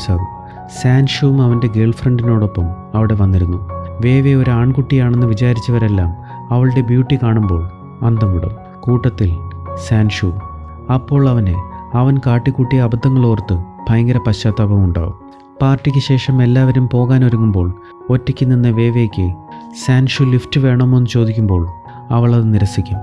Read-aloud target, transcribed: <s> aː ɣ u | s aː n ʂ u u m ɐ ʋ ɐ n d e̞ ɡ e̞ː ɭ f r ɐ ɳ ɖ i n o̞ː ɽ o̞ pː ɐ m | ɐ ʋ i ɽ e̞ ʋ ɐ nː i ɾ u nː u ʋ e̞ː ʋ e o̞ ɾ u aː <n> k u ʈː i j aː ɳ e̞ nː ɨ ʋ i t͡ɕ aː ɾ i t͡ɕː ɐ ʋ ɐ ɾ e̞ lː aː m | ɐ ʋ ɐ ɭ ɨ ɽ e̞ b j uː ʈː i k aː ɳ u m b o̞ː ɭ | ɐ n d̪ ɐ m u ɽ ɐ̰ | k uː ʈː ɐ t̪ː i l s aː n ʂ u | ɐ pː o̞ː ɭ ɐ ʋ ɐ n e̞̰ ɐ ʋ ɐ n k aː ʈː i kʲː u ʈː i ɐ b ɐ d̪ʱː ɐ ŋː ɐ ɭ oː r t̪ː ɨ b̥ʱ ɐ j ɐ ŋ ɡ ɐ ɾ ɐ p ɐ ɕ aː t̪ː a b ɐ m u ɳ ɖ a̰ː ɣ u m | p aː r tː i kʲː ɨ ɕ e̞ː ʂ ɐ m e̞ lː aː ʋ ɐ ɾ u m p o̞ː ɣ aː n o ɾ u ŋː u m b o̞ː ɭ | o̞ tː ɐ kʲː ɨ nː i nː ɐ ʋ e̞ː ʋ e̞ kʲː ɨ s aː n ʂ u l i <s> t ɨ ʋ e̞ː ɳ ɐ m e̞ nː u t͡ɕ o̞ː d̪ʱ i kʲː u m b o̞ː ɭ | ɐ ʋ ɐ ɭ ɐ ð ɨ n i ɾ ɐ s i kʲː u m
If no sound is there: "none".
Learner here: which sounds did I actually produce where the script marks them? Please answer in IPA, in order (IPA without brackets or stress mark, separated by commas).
s, ɳ, f